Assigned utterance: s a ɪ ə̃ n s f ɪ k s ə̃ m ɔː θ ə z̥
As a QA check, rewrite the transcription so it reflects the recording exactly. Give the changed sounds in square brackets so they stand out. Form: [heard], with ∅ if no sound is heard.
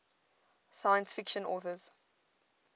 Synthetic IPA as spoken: s a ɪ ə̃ n s f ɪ k [ʃ] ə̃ [n] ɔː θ ə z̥